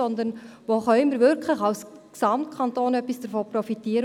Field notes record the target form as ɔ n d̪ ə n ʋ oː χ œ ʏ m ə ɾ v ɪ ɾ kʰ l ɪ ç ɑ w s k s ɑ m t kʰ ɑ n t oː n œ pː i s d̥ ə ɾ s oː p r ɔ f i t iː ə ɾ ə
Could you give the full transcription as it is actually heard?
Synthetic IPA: ɔ n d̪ ə n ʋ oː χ œ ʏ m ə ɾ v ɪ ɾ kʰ l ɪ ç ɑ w s k s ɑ m t kʰ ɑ n t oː n œ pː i s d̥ ə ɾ f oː p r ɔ f i t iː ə ɾ ə